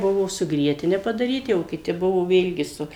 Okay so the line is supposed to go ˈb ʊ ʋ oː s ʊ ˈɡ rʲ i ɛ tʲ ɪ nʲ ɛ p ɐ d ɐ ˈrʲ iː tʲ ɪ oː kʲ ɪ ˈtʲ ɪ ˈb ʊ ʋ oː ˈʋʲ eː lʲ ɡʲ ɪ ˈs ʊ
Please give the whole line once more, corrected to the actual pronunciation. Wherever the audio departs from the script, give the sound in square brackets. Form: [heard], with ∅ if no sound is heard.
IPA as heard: ˈb ʊ ʋ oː s ʊ ˈɡ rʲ i ɛ tʲ ɪ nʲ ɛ p ɐ d ɐ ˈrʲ iː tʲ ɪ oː kʲ ɪ ˈtʲ ɪ ˈb ʊ ʋ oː ˈʋʲ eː lʲ ɡʲ ɪ ˈs ʊ